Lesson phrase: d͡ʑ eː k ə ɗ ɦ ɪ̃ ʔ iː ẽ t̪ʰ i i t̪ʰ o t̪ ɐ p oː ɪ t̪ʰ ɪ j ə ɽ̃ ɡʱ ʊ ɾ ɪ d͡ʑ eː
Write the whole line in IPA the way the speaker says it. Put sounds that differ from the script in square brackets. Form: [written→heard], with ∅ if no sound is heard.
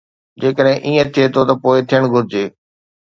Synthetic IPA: d͡ʑ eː k ə ɗ ɦ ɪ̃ ʔ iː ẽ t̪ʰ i [i→e] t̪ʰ o t̪ ɐ p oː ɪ t̪ʰ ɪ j ə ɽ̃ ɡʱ ʊ ɾ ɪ d͡ʑ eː